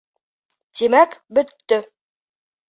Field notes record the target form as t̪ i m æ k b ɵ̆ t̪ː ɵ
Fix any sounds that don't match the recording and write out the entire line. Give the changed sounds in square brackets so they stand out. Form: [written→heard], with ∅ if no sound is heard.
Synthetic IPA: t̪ i m æ k b ɵ̆ t̪ː ɵ